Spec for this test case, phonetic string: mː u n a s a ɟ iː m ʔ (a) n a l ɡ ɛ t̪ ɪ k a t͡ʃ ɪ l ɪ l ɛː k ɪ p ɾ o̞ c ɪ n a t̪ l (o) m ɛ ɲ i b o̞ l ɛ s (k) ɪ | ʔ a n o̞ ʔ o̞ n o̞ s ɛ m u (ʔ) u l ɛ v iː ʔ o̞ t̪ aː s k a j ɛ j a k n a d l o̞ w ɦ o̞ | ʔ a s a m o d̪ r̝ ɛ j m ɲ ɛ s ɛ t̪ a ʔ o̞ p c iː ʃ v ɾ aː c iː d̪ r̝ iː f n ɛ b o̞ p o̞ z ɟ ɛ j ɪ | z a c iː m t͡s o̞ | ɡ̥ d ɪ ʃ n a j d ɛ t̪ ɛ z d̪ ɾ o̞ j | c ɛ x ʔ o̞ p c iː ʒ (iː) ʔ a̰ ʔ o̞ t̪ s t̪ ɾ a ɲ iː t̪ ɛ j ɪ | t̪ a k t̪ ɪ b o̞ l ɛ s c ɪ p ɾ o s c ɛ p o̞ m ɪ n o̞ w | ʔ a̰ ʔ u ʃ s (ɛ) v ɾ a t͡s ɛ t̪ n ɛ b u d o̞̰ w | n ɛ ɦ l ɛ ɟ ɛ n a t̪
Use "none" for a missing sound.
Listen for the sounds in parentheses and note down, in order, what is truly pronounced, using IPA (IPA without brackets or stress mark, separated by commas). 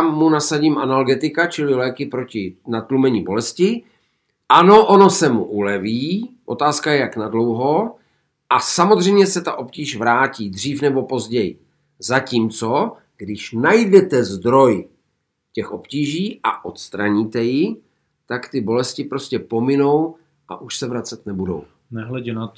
a, u, c, ʔ, iː, ɛ